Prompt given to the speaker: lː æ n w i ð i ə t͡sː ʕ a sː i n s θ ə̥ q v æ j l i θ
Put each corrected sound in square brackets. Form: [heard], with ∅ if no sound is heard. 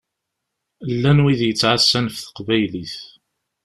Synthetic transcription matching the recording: lː æ n w i ð [j] ə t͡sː ʕ a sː [æ] n [f] θ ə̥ q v æ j l i θ